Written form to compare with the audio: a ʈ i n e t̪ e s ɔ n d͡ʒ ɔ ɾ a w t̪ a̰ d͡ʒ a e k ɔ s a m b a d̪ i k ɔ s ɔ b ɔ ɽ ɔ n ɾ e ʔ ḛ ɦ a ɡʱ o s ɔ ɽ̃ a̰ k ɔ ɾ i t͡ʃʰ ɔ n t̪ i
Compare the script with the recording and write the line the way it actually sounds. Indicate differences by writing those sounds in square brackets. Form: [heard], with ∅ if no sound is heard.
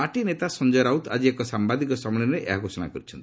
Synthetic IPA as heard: a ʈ i n e t̪ [a] s ɔ n d͡ʒ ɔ ɾ a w t̪ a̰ d͡ʒ [i] e k ɔ s a m b a d̪ i k ɔ s ɔ [m] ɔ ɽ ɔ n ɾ e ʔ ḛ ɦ a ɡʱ o s ɔ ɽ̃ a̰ k ɔ ɾ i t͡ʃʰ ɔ n t̪ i